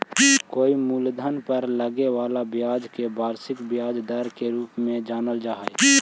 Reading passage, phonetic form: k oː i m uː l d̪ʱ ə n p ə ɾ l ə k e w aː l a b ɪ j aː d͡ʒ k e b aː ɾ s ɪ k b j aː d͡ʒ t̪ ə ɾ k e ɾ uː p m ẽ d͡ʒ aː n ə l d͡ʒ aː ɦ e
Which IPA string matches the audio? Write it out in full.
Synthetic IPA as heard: k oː i m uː l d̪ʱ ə n p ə ɾ l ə ɡ e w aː l a b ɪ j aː d͡ʒ k e b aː ɾ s ɪ k b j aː d͡ʒ d̪ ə ɾ k e ɾ uː p m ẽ d͡ʒ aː n ə l d͡ʒ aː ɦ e